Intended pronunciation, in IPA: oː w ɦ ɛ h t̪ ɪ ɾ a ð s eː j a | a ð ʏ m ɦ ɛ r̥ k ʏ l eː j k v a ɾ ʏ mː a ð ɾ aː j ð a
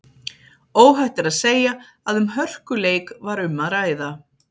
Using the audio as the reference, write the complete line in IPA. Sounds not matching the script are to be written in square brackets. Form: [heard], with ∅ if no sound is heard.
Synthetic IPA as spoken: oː w ɦ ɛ h t̪ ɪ ɾ a ð s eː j a | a ð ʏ m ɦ [œ] r̥ k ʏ l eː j k v a ɾ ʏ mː a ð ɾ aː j ð a